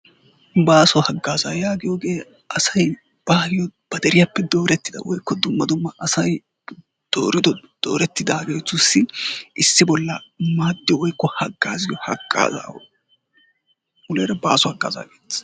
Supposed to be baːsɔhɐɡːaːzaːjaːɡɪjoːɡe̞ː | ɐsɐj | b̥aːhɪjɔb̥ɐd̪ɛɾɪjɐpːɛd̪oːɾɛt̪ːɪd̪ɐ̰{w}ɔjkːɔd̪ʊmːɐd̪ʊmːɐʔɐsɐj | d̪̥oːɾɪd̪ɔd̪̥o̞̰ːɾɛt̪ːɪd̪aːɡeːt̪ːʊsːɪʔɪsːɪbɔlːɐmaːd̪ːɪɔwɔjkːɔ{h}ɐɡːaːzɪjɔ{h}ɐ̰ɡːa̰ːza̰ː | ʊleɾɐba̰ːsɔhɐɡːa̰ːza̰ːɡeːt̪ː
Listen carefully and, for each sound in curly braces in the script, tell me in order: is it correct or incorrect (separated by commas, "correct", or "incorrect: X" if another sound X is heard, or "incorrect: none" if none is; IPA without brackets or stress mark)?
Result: correct, correct, correct